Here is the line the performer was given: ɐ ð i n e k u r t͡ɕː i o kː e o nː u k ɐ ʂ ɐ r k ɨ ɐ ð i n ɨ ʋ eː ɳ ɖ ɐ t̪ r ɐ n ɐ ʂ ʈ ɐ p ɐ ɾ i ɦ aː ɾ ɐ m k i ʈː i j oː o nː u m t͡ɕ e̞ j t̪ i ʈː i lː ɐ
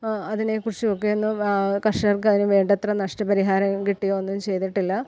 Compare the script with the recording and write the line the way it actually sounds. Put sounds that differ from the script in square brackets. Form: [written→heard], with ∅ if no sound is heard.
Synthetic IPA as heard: ɐ ð i n e k u r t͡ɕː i o kː e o nː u k ɐ ʂ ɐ r k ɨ ɐ ð i n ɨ ʋ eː ɳ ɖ ɐ t̪ r ɐ n ɐ ʂ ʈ ɐ p ɐ ɾ i ɦ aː ɾ ɐ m k i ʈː i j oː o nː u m t͡ɕ e̞ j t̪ i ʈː i lː ɐ